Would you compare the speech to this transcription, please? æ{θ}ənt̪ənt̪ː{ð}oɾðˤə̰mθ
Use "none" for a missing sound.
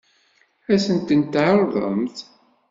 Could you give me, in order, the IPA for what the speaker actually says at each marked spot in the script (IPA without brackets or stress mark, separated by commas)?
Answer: s, ʕ